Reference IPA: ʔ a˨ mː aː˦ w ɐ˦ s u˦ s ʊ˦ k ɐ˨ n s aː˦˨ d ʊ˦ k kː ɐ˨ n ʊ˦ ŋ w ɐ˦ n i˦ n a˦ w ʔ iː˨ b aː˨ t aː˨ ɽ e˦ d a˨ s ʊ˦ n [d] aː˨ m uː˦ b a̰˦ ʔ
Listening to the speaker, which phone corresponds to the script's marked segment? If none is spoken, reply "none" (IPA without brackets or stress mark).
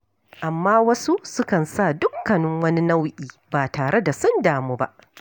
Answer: d